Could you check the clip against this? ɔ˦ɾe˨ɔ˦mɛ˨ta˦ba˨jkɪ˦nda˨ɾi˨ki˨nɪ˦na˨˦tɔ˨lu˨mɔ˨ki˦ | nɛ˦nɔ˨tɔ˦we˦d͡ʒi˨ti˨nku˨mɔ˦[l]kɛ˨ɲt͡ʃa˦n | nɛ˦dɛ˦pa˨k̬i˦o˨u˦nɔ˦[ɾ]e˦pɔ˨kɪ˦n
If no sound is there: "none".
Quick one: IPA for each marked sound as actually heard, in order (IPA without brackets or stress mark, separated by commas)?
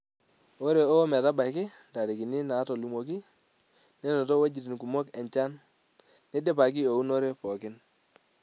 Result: none, ɾ